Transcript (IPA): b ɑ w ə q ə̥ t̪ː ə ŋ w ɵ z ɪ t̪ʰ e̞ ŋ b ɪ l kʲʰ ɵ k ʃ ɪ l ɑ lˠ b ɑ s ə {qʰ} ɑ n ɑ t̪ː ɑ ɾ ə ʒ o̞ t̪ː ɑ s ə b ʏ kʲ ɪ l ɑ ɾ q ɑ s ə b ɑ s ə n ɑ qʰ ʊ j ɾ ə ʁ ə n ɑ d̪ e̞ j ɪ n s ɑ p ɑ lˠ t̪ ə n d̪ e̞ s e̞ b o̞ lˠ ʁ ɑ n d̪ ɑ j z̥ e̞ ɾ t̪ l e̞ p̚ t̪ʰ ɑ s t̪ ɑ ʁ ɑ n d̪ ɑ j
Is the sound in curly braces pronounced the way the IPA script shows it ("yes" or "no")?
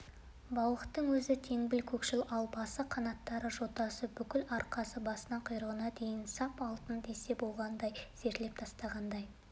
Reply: yes